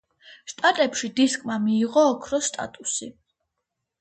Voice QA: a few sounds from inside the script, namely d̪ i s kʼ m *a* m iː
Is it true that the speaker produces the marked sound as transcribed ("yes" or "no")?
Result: yes